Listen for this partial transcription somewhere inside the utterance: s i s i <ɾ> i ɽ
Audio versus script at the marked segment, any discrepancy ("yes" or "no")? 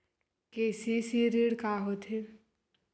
no